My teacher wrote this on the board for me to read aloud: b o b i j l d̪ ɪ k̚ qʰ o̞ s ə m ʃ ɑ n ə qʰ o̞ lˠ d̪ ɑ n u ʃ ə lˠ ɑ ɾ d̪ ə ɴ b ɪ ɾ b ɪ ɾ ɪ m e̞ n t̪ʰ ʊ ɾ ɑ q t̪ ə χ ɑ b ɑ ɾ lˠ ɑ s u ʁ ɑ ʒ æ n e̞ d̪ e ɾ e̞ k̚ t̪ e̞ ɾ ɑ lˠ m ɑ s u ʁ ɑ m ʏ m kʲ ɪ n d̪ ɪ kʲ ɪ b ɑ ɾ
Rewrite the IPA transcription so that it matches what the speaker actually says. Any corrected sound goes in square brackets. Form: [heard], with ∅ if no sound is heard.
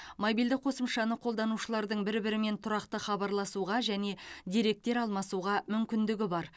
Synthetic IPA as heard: [m] o b i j l d̪ ɪ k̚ qʰ o̞ s ə m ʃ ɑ n ə qʰ o̞ lˠ d̪ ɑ n u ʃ ə lˠ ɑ ɾ d̪ ə ɴ b ɪ ɾ b ɪ ɾ ɪ m e̞ n t̪ʰ ʊ ɾ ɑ q t̪ ə χ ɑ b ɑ ɾ lˠ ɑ s u ʁ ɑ ʒ æ n e̞ d̪ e ɾ e̞ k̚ t̪ e̞ ɾ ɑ lˠ m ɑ s u ʁ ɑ m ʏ m kʲ ɪ n d̪ ɪ [ɡʲ] ɪ b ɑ ɾ